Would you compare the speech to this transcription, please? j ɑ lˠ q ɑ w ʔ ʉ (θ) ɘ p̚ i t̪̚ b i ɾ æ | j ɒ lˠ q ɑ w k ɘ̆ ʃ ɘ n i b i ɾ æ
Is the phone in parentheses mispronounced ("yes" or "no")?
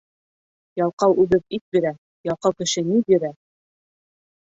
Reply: yes